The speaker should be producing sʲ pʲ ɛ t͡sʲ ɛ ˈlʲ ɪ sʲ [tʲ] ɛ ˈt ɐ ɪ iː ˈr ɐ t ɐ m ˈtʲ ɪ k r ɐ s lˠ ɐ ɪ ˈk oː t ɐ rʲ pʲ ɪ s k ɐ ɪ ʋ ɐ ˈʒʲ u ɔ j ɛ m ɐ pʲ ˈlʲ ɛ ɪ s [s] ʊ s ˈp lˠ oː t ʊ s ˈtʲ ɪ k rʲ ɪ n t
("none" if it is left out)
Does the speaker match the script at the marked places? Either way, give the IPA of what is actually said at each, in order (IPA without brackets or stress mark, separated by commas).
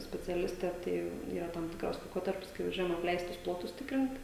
tʲ, t